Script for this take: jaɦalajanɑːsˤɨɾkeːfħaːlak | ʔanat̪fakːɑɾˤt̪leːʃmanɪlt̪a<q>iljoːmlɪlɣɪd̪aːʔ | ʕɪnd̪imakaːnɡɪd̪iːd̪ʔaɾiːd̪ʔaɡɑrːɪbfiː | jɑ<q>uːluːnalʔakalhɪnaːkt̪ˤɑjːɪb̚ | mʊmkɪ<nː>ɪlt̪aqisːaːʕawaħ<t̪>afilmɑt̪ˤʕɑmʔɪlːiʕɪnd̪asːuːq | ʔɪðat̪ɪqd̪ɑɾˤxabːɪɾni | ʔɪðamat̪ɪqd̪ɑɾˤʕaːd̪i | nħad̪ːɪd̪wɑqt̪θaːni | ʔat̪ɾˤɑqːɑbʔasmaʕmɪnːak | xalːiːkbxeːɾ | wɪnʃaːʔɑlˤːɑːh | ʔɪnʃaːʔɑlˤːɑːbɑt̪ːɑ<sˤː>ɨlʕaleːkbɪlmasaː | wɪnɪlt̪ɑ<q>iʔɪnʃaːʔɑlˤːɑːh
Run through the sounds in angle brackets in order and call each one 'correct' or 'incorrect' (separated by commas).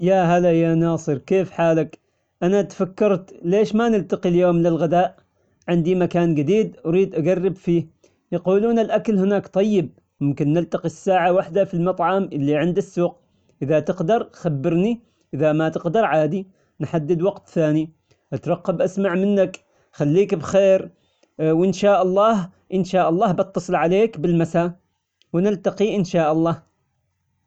correct, correct, correct, incorrect, incorrect, correct